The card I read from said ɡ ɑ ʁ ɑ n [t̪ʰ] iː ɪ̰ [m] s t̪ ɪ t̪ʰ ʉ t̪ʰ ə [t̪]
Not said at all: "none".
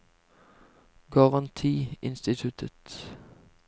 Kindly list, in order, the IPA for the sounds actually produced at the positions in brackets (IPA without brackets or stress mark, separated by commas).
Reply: t̪ʰ, n, t̪